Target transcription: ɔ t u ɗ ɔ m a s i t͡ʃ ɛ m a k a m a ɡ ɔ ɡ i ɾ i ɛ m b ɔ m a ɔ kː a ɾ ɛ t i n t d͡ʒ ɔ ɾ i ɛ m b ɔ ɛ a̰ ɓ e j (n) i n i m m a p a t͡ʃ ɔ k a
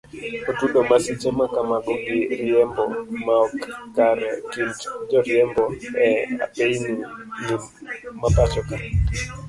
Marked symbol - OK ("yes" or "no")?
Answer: yes